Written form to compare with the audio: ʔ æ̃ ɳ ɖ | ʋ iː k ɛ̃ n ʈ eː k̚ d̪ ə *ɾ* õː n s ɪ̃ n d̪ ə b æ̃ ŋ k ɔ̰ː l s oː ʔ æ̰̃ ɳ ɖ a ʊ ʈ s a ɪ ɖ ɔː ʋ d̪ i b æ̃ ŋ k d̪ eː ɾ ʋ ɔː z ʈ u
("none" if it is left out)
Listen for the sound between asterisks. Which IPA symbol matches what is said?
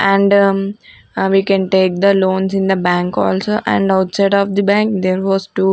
l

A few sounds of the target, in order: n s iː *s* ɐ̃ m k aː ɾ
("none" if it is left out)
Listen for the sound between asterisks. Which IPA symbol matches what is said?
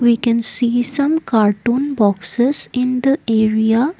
s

